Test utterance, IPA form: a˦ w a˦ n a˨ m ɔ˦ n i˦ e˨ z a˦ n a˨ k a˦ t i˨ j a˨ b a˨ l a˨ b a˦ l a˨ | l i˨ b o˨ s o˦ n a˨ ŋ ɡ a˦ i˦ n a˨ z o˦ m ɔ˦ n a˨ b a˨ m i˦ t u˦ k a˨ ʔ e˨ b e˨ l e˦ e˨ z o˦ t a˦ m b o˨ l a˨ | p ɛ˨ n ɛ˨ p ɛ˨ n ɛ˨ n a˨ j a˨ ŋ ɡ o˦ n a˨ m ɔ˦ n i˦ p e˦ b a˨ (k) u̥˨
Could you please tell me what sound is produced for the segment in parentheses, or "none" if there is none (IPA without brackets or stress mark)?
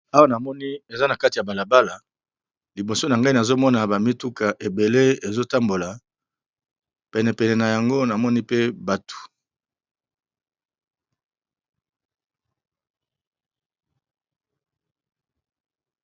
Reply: t